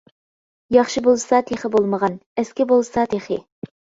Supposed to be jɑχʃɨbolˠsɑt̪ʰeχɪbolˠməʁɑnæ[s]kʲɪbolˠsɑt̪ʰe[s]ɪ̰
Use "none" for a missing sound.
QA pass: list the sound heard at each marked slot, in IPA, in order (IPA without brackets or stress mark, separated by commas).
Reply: s, χ